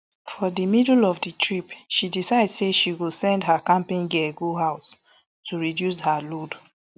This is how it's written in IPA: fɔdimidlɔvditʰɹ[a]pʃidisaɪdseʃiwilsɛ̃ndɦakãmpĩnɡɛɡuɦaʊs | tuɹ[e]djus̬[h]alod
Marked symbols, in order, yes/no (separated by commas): no, no, yes